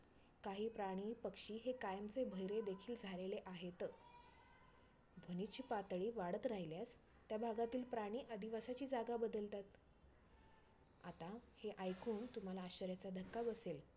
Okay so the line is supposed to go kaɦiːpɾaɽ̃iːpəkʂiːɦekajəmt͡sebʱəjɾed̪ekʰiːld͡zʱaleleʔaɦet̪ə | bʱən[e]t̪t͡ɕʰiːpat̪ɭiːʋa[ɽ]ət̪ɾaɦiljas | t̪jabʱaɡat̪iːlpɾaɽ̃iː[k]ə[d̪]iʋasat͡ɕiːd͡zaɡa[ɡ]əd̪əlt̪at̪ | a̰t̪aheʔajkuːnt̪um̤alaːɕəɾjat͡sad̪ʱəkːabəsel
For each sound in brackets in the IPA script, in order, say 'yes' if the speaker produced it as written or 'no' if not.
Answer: no, yes, no, yes, no

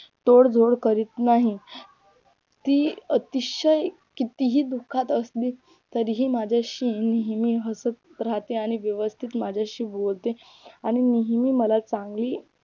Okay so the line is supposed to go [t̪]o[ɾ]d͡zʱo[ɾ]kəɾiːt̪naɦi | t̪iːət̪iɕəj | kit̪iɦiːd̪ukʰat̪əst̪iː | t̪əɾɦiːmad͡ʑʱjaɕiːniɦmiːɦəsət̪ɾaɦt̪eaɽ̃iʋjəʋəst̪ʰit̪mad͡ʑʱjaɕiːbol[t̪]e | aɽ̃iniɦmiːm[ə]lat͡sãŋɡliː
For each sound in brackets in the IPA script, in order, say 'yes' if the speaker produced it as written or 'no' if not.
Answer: yes, no, no, yes, yes

